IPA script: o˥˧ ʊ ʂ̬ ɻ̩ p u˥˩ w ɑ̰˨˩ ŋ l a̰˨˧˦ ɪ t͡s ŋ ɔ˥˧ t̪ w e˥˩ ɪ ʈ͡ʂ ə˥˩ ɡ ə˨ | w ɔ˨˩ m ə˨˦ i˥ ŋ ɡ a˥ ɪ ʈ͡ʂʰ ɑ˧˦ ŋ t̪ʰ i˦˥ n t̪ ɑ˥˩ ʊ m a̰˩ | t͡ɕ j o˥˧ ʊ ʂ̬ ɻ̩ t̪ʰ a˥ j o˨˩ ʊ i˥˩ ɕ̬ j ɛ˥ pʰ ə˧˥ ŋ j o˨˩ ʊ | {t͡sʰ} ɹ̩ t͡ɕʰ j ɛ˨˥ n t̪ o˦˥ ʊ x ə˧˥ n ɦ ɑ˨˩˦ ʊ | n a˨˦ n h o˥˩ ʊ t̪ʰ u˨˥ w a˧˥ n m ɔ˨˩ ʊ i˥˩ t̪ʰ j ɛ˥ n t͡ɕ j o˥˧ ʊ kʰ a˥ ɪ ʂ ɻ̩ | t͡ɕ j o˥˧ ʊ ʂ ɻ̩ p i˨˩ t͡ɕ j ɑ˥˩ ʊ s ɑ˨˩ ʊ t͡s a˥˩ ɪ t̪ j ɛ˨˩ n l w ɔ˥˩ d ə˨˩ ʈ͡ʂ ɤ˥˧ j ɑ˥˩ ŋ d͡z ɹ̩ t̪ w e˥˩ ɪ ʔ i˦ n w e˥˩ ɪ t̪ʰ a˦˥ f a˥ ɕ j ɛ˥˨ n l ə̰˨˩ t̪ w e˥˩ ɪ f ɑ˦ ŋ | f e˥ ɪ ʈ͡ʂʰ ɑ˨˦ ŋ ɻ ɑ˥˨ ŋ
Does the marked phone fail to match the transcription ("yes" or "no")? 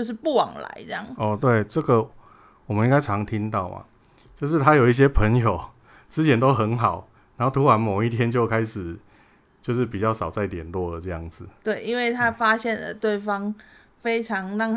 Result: yes